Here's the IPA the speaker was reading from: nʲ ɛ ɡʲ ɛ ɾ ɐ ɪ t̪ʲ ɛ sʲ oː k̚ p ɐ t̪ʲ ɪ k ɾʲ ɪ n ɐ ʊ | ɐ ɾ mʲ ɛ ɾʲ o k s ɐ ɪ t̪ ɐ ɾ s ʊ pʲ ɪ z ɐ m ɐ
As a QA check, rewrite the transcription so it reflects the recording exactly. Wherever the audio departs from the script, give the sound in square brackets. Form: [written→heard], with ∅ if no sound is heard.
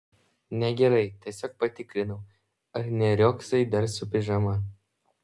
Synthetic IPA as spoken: nʲ ɛ ɡʲ ɛ ɾ ɐ ɪ t̪ʲ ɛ sʲ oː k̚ p ɐ t̪ʲ ɪ k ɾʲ ɪ n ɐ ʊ | ɐ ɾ [mʲ→nʲ] ɛ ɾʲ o k s ɐ ɪ [t̪→d̪] ɐ ɾ s ʊ pʲ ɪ [z→ʒ] ɐ m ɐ

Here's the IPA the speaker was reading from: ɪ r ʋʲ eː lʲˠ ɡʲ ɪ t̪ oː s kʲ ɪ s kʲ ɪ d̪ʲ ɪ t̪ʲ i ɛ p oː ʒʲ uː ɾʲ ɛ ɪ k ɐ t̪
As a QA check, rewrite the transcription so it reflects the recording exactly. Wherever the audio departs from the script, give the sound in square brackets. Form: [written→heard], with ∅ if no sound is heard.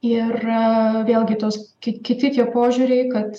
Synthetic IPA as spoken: ɪ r ʋʲ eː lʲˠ ɡʲ ɪ t̪ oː s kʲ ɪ [s→∅] kʲ ɪ [d̪ʲ→t̪ʲ] ɪ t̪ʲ i ɛ p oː ʒʲ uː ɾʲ ɛ ɪ k ɐ t̪

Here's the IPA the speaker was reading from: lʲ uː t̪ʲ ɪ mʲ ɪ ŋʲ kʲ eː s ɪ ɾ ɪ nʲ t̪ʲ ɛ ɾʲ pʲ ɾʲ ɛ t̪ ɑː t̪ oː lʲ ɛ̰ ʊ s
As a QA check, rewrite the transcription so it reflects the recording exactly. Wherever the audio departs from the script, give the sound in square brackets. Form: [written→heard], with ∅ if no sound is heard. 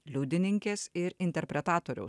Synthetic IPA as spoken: lʲ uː [t̪ʲ→d̪ʲ] ɪ [mʲ→nʲ] ɪ ŋʲ kʲ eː s ɪ ɾ ɪ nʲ t̪ʲ ɛ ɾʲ pʲ ɾʲ ɛ t̪ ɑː t̪ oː [lʲ→ɾʲ] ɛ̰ ʊ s

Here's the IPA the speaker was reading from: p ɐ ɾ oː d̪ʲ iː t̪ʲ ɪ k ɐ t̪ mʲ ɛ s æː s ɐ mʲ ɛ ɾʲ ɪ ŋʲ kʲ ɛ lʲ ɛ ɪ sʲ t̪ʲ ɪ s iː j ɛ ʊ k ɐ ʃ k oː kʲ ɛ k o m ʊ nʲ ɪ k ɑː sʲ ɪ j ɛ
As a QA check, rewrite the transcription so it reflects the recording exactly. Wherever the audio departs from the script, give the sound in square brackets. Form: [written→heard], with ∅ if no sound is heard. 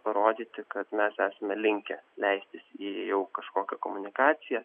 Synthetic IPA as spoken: p ɐ ɾ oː d̪ʲ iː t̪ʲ ɪ k ɐ t̪ mʲ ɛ s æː s ɐ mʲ ɛ [ɾʲ→lʲ] ɪ ŋʲ kʲ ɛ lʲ ɛ ɪ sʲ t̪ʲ ɪ s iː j ɛ ʊ k ɐ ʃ k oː kʲ ɛ k o m ʊ nʲ ɪ k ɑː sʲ ɪ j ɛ

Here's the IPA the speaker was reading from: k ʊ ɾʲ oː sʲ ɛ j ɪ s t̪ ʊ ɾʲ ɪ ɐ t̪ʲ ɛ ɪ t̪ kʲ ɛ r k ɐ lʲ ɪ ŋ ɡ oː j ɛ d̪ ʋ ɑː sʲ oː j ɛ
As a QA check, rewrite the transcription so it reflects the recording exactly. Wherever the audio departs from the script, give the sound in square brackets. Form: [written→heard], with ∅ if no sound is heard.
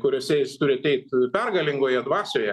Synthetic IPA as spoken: k ʊ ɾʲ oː sʲ ɛ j ɪ s t̪ ʊ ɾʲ ɪ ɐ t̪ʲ ɛ ɪ t̪ [kʲ→pʲ] ɛ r [k→ɡ] ɐ lʲ ɪ ŋ ɡ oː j ɛ d̪ ʋ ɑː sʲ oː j ɛ

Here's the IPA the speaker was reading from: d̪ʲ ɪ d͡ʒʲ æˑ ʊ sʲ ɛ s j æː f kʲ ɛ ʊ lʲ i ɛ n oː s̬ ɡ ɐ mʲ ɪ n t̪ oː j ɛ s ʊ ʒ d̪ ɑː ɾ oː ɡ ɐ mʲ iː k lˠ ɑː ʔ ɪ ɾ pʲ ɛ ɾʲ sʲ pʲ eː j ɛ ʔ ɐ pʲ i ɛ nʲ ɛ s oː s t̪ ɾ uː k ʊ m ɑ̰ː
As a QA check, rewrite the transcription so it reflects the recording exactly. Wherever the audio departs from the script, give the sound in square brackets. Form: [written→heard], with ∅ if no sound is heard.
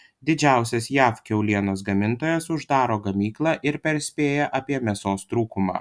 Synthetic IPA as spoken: d̪ʲ ɪ d͡ʒʲ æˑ ʊ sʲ ɛ s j æː f kʲ ɛ ʊ lʲ i ɛ n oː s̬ ɡ ɐ mʲ ɪ n t̪ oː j ɛ s ʊ ʒ d̪ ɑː ɾ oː ɡ ɐ mʲ iː k lˠ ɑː ʔ ɪ ɾ pʲ ɛ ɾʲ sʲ pʲ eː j ɛ ʔ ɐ pʲ i ɛ [nʲ→mʲ] ɛ s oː s t̪ ɾ uː k ʊ m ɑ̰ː

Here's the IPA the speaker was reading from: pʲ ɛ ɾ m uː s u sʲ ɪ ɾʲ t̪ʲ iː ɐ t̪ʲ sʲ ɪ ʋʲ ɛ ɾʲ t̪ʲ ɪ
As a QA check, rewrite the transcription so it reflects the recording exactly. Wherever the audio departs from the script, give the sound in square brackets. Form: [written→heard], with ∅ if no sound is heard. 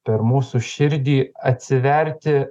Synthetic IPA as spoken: pʲ ɛ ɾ m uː s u [sʲ→ʃʲ] ɪ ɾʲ [t̪ʲ→d̪ʲ] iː ɐ t̪ʲ sʲ ɪ ʋʲ ɛ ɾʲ t̪ʲ ɪ

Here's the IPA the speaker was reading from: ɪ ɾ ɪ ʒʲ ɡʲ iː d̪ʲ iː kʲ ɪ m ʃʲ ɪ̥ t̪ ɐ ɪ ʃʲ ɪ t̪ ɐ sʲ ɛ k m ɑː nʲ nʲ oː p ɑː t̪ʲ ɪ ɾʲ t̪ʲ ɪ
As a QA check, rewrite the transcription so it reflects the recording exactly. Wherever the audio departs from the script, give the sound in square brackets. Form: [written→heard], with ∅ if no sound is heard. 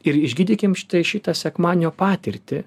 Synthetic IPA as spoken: ɪ ɾ ɪ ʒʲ ɡʲ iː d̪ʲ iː kʲ ɪ m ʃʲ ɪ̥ t̪ ɐ ɪ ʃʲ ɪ t̪ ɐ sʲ ɛ k m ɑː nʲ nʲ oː p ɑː t̪ʲ ɪ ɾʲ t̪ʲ ɪ

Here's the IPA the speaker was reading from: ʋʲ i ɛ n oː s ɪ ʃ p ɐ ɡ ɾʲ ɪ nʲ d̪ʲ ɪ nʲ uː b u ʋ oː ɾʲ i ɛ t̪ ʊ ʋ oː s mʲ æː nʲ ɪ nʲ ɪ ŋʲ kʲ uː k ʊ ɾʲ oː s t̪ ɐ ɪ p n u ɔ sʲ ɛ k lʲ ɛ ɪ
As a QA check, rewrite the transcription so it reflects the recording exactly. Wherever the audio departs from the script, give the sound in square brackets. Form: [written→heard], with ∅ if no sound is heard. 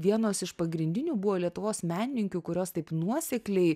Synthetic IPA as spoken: ʋʲ i ɛ n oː s ɪ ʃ p ɐ ɡ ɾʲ ɪ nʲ d̪ʲ ɪ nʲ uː b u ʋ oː [ɾʲ→lʲ] i ɛ t̪ ʊ ʋ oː s mʲ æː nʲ ɪ nʲ ɪ ŋʲ kʲ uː k ʊ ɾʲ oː s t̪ ɐ ɪ p n u ɔ sʲ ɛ k lʲ ɛ ɪ

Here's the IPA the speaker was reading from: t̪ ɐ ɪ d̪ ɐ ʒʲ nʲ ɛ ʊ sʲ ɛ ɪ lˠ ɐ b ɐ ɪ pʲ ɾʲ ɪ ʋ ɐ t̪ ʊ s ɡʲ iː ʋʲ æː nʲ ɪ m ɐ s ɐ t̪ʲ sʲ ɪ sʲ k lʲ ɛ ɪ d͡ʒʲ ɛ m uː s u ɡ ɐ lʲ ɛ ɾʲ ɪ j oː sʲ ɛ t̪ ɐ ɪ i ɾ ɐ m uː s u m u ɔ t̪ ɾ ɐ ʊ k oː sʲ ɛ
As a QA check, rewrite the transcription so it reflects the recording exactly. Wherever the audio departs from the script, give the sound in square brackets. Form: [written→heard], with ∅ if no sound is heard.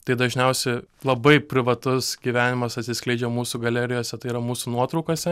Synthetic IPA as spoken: t̪ ɐ ɪ d̪ ɐ ʒʲ nʲ ɛ ʊ sʲ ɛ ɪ lˠ ɐ b ɐ ɪ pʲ ɾʲ ɪ ʋ ɐ t̪ ʊ s ɡʲ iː ʋʲ æː nʲ ɪ m ɐ s ɐ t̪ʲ sʲ ɪ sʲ k lʲ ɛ ɪ d͡ʒʲ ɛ m uː s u ɡ ɐ lʲ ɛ ɾʲ ɪ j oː sʲ ɛ t̪ ɐ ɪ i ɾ ɐ m uː s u [m→n] u ɔ t̪ ɾ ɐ ʊ k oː sʲ ɛ

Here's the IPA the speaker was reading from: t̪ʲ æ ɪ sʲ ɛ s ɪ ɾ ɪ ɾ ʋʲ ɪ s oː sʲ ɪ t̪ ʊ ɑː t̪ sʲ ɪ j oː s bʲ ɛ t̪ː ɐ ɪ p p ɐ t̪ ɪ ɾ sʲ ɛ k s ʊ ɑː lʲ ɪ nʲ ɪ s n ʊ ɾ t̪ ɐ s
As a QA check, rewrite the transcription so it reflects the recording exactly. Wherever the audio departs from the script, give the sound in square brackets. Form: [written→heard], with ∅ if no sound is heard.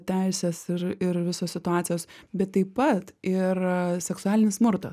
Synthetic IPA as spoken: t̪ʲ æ ɪ sʲ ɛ s ɪ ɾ ɪ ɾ ʋʲ ɪ s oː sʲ ɪ t̪ ʊ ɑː t̪ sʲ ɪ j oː s bʲ ɛ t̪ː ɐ ɪ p p ɐ t̪ ɪ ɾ sʲ ɛ k s ʊ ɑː lʲ ɪ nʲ ɪ s [n→m] ʊ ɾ t̪ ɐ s

